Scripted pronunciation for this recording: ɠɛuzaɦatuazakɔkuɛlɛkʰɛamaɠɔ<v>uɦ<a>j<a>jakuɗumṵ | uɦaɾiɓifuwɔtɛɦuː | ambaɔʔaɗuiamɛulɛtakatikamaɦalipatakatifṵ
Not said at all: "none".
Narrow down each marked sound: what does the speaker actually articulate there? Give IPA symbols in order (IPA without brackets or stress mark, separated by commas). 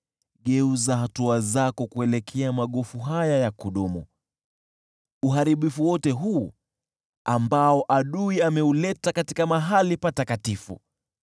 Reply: f, a, a